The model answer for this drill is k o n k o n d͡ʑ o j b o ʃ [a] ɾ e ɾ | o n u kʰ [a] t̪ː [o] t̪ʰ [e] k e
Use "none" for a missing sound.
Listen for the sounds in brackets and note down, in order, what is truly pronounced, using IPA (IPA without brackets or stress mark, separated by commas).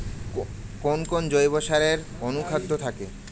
a, a, o, a